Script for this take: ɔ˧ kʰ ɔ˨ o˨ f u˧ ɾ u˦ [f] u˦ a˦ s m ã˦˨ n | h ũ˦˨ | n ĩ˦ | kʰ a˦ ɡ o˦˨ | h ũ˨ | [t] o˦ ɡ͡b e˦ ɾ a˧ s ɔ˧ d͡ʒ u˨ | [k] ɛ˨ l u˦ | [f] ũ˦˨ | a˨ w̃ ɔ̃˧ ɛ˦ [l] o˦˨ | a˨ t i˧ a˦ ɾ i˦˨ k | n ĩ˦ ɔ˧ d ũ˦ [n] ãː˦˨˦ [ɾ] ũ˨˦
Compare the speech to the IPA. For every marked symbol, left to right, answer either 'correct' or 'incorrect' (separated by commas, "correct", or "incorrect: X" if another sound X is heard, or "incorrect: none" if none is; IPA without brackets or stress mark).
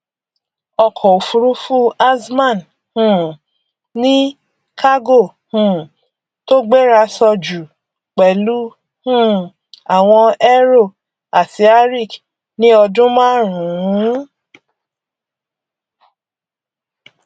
correct, correct, incorrect: k͡p, incorrect: h, incorrect: ɾ, incorrect: m, correct